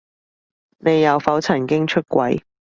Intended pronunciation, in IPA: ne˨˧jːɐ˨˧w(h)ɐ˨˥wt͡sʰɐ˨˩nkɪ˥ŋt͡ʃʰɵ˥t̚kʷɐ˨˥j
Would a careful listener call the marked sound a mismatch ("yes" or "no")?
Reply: yes